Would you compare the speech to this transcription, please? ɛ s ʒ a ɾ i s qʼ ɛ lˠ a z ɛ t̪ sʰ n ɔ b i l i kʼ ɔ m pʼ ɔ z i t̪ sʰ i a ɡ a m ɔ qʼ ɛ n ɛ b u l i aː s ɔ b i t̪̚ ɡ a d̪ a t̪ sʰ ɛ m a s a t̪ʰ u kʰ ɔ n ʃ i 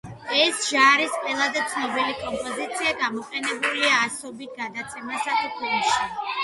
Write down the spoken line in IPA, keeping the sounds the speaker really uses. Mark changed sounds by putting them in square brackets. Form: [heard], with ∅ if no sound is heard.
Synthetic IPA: ɛ s ʒ a ɾ i s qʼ ɛ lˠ a z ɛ t̪ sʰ n ɔ b i l i kʼ ɔ m pʼ ɔ z i t̪ sʰ i a ɡ a m ɔ qʼ ɛ n ɛ b u l i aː s ɔ b i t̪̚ ɡ a d̪ a t̪ sʰ ɛ m a s a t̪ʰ u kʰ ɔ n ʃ i